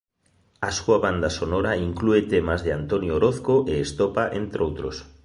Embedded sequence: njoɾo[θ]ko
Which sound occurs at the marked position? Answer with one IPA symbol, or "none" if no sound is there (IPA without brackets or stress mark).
θ